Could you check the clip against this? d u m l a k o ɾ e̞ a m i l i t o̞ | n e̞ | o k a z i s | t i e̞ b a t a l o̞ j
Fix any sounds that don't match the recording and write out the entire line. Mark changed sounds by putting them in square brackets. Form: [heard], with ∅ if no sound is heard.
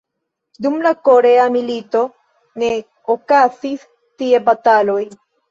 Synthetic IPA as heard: d u m l a k o ɾ e̞ a m i l i t o̞ | n e̞ | o k a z i s | t i e̞ b a t a l o̞ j